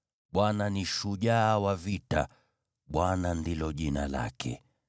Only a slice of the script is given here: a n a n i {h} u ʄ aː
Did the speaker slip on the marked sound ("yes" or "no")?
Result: yes